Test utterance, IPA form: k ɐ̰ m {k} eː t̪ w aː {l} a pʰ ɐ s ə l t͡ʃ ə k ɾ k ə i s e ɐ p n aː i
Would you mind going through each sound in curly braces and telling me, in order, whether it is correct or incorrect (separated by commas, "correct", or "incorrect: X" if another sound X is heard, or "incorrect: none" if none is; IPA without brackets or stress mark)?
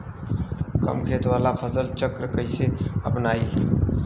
incorrect: kʰ, correct